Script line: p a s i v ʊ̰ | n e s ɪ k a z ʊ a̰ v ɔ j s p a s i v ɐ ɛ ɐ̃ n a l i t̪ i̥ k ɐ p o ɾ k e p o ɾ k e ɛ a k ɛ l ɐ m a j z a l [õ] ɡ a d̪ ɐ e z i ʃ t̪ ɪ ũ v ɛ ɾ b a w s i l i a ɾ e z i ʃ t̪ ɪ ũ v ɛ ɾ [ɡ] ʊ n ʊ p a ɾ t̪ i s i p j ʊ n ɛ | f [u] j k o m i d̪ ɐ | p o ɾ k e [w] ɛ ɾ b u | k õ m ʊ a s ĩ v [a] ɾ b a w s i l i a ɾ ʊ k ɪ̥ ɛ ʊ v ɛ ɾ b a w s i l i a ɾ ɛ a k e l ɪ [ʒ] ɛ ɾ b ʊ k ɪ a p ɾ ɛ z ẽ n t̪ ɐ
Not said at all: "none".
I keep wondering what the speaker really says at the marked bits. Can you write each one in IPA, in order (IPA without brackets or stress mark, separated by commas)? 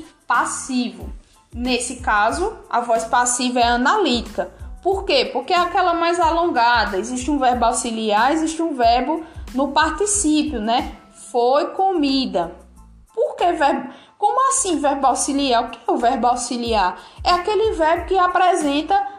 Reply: õ, b, o, v, ɛ, v